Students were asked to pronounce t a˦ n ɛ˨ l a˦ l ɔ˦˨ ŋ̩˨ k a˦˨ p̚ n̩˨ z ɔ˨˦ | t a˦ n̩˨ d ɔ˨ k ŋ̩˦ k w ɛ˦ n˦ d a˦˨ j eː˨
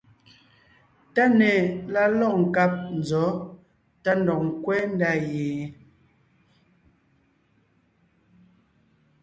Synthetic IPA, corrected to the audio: t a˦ n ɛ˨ l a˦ l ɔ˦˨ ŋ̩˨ k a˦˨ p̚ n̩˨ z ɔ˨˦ | t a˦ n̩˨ d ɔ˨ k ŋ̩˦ k w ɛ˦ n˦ d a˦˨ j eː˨